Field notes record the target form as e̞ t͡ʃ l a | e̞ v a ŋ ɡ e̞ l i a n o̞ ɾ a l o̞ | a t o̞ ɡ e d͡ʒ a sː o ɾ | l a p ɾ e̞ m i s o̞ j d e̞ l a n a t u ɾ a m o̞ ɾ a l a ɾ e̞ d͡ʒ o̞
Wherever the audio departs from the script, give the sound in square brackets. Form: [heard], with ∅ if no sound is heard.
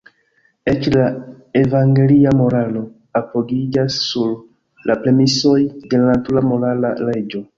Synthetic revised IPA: e̞ t͡ʃ l a | e̞ v a ŋ ɡ e̞ l i a [m] o̞ ɾ a l o̞ | a [p] o̞ ɡ [i] d͡ʒ a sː [u] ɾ | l a p ɾ e̞ m i s o̞ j d e̞ l a n a t u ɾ a m o̞ ɾ a l a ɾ e̞ d͡ʒ o̞